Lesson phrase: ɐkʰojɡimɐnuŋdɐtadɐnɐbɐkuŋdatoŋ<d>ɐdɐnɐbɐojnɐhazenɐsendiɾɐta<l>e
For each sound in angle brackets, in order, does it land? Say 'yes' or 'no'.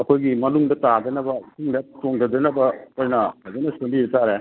yes, no

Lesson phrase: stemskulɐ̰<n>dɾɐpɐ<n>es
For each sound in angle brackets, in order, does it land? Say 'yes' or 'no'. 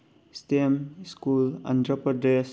yes, no

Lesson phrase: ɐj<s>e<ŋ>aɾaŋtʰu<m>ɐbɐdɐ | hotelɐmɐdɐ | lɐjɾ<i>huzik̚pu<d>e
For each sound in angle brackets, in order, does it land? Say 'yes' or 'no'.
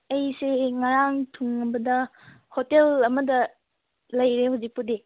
yes, yes, no, no, yes

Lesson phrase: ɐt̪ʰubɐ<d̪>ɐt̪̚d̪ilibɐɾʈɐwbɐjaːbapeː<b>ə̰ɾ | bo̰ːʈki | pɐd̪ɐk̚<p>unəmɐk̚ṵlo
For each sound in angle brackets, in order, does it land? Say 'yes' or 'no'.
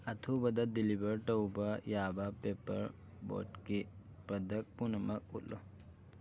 yes, no, yes

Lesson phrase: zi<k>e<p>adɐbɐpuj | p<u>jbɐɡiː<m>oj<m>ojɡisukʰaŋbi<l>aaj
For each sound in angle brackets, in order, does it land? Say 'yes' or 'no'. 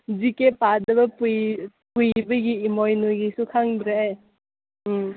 yes, yes, yes, yes, no, no

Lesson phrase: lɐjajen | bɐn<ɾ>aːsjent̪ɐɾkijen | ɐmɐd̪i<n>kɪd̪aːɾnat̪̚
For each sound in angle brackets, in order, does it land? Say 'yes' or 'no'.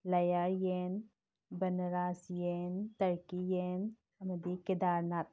yes, no

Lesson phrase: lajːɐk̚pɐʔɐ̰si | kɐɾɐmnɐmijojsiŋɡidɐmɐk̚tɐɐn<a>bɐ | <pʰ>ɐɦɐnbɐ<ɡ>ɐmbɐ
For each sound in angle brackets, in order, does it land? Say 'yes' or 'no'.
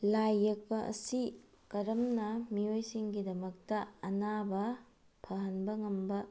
yes, yes, no

